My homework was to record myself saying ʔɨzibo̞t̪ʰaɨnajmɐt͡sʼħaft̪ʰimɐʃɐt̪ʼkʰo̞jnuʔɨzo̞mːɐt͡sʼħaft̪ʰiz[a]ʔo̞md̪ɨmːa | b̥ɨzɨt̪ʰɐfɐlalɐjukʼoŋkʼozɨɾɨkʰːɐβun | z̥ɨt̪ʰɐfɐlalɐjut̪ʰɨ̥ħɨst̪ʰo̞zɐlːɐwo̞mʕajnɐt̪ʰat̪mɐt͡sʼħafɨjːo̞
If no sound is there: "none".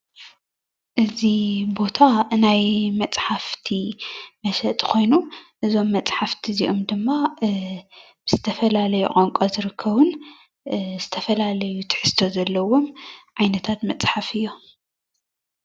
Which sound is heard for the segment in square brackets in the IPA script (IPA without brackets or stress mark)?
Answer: i